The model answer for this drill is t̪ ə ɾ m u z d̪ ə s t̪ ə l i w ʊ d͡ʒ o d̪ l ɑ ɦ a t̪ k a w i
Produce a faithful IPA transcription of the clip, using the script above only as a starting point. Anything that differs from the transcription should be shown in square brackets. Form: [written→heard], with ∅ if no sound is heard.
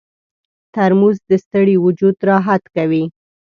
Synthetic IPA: t̪ [ə→a] ɾ m u z d̪ ə s t̪ ə [l→ɽ] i w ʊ d͡ʒ [o→u] d̪ [l→ɾ] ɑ ɦ a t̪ k a w i